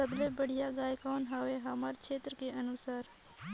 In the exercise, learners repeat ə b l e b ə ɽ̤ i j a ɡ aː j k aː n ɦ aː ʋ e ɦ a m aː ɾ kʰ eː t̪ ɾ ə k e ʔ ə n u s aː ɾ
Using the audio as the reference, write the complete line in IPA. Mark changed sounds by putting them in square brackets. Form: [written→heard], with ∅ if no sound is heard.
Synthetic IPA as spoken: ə b l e b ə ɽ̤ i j a ɡ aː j k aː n ɦ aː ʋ e ɦ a m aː ɾ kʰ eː t̪ ɾ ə k e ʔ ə n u s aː ɾ